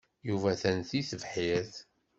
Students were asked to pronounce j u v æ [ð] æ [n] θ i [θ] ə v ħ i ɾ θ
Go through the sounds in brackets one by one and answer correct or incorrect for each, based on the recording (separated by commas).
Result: incorrect, correct, correct